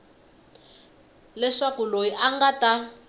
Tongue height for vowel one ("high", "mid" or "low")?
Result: mid